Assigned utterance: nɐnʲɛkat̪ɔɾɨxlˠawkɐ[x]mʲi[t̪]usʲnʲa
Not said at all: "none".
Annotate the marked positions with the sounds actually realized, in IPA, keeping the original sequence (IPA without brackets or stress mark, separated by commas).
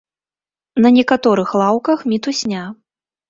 x, t̪